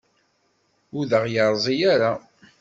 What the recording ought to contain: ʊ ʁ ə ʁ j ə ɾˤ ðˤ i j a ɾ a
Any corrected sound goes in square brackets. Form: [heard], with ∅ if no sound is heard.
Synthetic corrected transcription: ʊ [ð] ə ʁ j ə ɾˤ [zˤ] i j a ɾ a